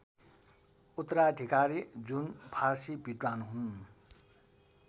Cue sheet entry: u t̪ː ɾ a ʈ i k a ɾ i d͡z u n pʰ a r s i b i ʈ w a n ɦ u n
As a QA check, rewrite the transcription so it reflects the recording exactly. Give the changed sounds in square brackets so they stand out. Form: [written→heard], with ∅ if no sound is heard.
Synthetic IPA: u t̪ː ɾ a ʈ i k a ɾ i d͡z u n pʰ a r s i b i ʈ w a n ɦ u n